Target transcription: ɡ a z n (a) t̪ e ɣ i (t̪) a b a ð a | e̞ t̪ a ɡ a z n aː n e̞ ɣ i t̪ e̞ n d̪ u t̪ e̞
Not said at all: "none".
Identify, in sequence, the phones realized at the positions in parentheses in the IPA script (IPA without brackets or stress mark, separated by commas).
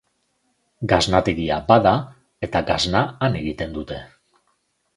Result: a, none